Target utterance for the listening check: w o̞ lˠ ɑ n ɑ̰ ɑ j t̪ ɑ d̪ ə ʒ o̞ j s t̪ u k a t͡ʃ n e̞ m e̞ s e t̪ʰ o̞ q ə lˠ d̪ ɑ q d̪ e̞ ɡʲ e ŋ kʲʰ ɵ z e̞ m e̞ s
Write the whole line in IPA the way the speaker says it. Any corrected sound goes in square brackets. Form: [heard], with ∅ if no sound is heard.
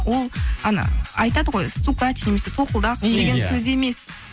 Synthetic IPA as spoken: w o̞ lˠ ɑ n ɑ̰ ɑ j t̪ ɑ d̪ ə [ʁ] o̞ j s t̪ u k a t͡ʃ n e̞ m e̞ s e t̪ʰ o̞ q ə lˠ d̪ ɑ q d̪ e̞ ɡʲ e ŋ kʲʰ ɵ z e̞ m e̞ s